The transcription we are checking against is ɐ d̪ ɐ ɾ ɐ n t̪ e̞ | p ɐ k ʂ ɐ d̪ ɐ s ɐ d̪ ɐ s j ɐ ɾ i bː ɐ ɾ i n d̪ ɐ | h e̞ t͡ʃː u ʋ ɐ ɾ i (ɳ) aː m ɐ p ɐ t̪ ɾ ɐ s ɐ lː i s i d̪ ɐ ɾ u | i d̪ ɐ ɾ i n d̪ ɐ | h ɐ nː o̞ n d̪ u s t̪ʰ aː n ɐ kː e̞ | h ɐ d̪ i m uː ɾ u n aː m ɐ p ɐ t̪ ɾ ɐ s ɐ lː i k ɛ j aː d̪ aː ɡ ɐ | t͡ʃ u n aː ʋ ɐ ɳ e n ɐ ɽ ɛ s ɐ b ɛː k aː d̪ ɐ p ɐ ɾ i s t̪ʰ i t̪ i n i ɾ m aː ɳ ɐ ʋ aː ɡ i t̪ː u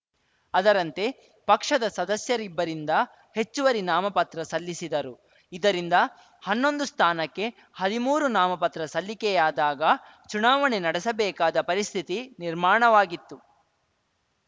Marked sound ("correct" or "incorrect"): incorrect